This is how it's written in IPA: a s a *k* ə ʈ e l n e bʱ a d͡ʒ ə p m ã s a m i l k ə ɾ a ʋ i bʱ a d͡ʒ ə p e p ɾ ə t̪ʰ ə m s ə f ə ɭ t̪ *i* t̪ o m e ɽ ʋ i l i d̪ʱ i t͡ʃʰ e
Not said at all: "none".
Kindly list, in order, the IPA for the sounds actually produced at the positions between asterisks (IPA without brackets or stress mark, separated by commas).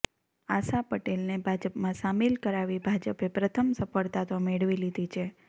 p, a